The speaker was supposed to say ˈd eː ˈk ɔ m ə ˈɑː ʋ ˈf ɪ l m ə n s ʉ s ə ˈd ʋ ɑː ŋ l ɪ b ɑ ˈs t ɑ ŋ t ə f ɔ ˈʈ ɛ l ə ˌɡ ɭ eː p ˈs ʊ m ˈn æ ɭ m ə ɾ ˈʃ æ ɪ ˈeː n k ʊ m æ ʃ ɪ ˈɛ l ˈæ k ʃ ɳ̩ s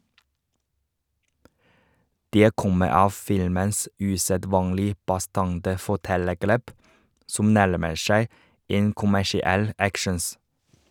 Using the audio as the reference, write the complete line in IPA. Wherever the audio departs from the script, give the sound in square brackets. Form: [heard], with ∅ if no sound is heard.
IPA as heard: ˈd eː ˈk ɔ m ə ˈɑː ʋ ˈf ɪ l m ə n s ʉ s ə ˈd ʋ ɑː ŋ l ɪ b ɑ ˈs t ɑ ŋ t ə f ɔ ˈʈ ɛ l ə ˌɡ ɭ eː p ˈs ʊ m ˈn æ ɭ m ə ɾ ˈʃ æ ɪ ˈeː n k ʊ m æ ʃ ɪ ˈɛ l ˈæ k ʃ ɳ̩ s